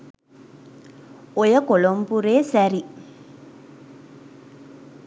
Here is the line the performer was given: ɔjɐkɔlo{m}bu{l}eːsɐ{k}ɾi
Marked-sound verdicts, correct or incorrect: correct, incorrect: ɾ, incorrect: none

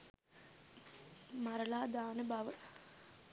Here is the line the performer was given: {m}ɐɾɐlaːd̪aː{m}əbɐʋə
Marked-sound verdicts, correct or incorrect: correct, incorrect: n

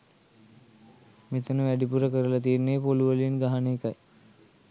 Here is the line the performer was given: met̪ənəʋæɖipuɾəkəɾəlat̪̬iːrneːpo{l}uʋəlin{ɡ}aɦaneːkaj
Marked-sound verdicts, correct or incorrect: correct, correct

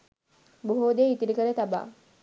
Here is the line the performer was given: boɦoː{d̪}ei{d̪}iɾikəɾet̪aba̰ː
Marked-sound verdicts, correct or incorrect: correct, incorrect: t̪

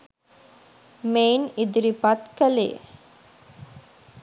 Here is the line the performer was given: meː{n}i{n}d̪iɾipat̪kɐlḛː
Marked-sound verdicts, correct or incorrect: correct, incorrect: none

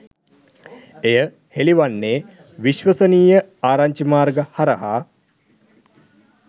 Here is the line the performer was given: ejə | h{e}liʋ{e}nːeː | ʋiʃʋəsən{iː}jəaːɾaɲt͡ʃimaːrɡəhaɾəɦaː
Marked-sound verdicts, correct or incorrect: correct, incorrect: a, correct

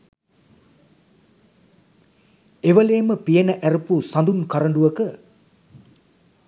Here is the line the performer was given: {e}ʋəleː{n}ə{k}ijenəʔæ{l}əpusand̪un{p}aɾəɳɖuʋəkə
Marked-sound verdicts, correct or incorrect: correct, incorrect: m, incorrect: p, incorrect: ɾ, incorrect: k

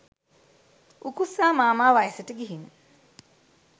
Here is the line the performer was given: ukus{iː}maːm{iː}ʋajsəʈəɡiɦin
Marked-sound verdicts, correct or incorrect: incorrect: aː, incorrect: aː

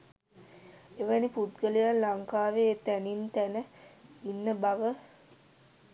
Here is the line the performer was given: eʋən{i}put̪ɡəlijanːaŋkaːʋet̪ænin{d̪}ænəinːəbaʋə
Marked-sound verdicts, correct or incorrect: correct, incorrect: t̪

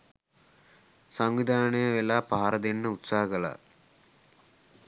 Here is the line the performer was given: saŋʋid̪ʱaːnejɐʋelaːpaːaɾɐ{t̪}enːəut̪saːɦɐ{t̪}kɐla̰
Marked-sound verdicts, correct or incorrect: incorrect: d̪, incorrect: none

